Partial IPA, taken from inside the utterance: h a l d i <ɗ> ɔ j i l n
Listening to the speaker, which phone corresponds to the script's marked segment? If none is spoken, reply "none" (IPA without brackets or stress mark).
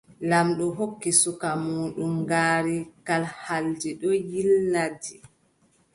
ɗ